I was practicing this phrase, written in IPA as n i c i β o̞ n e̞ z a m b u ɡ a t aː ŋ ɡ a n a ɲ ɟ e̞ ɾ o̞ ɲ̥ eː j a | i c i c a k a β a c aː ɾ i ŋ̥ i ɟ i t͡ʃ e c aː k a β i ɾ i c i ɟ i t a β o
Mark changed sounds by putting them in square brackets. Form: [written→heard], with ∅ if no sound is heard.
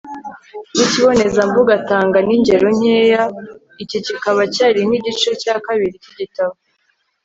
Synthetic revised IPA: n i c i β o̞ n e̞ z a m b u ɡ a t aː ŋ ɡ a n [a→i] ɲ ɟ e̞ ɾ o̞ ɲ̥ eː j a | i c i c [a→i] k a β a c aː ɾ i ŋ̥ i ɟ i t͡ʃ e c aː k a β i ɾ i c i ɟ i t a β o